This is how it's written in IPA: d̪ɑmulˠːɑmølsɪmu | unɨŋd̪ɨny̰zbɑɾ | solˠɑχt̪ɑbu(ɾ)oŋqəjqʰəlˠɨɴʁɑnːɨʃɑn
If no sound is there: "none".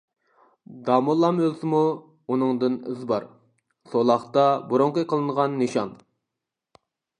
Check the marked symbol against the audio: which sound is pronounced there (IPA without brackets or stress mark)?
ɾ